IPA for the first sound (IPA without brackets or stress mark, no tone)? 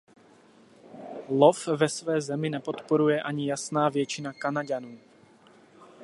l